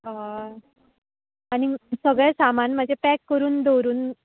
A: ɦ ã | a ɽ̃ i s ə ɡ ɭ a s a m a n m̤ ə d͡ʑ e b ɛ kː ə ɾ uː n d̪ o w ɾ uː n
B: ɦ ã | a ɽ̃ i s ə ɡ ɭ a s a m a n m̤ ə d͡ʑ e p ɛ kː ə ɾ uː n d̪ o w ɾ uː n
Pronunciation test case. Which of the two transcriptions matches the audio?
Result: B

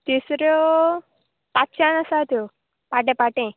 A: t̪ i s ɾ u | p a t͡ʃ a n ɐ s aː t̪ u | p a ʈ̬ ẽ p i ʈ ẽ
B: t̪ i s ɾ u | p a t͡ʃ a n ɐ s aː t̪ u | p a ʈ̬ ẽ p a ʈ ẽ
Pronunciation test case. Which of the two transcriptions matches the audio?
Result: B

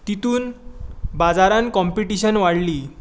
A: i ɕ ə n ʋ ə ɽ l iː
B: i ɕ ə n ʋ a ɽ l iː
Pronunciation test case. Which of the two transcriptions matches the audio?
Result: B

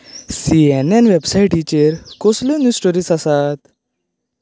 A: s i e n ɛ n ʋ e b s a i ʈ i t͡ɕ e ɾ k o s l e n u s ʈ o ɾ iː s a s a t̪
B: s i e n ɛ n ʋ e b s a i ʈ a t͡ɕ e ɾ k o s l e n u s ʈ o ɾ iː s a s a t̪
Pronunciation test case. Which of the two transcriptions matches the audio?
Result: A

